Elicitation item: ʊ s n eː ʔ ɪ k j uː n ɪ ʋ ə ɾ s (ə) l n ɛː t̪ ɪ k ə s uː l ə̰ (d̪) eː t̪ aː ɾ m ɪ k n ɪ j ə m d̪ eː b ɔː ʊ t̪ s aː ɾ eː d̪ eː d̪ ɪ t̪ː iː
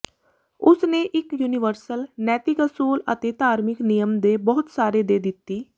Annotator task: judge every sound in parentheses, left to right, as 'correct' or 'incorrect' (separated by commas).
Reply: correct, incorrect